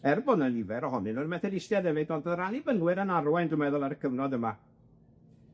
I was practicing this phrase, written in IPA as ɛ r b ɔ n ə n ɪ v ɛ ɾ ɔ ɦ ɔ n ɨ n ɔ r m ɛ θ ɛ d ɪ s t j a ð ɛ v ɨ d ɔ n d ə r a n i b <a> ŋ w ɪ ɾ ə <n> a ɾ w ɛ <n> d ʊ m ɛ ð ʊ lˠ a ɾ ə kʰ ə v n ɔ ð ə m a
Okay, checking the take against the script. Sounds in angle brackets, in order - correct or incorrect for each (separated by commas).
incorrect, correct, correct